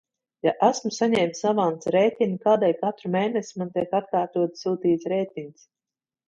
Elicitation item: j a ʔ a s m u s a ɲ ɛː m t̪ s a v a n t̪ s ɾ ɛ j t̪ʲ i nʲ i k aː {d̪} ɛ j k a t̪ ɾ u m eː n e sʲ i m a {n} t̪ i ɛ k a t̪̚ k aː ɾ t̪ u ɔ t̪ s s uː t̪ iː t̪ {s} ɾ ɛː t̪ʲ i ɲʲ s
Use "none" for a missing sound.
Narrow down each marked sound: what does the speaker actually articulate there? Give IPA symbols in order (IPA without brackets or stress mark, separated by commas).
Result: d̪, n, s